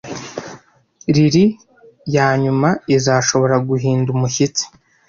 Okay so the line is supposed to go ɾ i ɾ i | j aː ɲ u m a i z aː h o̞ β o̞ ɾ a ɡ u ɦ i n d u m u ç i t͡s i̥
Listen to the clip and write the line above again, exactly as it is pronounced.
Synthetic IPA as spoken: ɾ i ɾ i | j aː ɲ u m a i z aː ʃ o̞ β o̞ ɾ a ɡ u ɦ iː n d u m u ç i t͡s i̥